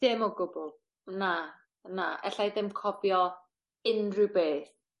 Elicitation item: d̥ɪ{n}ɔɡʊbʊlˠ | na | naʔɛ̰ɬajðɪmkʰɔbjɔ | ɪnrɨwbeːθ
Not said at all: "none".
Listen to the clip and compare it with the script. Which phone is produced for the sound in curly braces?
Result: m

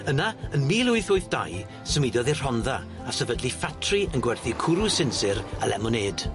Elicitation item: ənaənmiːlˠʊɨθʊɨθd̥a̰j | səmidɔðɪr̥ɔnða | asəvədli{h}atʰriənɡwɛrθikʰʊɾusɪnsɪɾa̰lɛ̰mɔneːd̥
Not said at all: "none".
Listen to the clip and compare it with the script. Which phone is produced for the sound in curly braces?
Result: f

